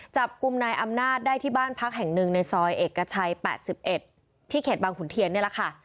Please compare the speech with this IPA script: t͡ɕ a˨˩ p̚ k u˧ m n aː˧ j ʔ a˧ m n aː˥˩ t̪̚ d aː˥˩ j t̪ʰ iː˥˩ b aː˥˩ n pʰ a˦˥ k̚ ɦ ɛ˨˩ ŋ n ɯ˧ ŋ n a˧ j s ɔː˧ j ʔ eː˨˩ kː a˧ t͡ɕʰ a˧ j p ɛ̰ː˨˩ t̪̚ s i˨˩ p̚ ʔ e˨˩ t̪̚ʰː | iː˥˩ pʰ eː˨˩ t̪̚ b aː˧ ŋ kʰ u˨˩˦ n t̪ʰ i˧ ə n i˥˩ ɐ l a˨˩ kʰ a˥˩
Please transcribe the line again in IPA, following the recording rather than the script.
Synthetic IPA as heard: t͡ɕ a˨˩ p̚ k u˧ m n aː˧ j ʔ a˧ m n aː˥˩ t̪̚ d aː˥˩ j t̪ʰ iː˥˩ b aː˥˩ n pʰ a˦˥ k̚ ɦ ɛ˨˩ ŋ n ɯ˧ ŋ n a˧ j s ɔː˧ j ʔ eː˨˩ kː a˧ t͡ɕʰ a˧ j p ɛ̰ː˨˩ t̪̚ s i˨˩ p̚ ʔ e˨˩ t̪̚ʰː | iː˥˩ kʰ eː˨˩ t̪̚ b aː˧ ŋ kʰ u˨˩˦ n t̪ʰ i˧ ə n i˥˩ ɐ l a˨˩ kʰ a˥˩